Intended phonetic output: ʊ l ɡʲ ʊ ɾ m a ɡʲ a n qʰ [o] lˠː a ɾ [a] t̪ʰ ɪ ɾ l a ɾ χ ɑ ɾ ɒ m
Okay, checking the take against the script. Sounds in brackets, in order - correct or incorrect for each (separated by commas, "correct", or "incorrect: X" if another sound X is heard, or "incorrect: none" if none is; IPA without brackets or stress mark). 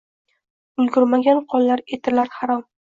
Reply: incorrect: ɒ, incorrect: e